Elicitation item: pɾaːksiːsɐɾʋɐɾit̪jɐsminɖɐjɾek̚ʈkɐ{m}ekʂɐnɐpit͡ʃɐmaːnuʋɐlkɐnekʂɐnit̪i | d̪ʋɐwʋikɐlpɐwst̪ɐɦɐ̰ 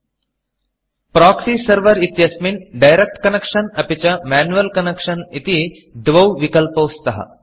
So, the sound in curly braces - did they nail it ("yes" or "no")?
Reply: no